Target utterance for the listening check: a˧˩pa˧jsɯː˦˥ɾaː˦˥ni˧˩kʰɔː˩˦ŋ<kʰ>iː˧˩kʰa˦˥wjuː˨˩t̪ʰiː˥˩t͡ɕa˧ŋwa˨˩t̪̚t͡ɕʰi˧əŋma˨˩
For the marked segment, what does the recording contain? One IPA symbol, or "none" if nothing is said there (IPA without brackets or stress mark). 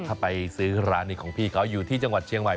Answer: pʰ